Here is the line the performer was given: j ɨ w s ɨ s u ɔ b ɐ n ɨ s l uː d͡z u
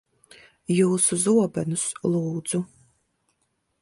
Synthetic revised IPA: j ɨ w s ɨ z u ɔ b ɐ n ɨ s l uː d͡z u